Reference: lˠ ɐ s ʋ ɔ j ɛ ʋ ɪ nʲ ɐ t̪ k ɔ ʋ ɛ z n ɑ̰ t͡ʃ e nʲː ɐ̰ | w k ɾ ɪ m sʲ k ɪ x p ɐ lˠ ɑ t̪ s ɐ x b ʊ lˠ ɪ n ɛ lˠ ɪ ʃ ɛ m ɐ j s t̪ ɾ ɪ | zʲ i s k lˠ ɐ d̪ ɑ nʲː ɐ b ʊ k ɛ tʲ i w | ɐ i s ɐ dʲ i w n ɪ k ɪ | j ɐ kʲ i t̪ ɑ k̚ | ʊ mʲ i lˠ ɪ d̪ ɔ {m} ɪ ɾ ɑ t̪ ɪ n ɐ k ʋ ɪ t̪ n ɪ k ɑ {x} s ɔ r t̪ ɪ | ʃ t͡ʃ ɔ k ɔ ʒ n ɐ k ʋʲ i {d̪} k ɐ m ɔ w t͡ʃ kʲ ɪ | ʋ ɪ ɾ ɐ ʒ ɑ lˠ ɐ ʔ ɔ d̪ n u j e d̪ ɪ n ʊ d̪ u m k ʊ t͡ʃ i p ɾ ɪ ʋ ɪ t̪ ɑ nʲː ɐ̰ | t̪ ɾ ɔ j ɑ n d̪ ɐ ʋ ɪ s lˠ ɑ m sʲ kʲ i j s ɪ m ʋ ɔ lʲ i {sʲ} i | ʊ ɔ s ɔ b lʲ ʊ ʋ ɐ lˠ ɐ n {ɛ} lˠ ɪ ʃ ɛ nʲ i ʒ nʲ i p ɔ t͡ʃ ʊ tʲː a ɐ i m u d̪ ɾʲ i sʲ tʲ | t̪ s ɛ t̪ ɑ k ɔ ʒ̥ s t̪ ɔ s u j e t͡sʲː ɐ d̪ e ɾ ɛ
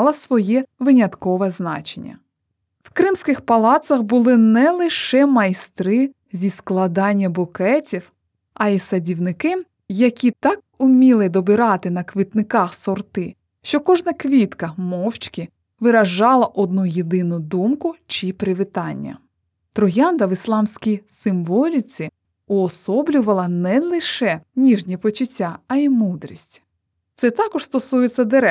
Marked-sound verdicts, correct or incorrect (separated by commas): incorrect, correct, incorrect, incorrect, correct